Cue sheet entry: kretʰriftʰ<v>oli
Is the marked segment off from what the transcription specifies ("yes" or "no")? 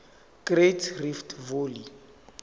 no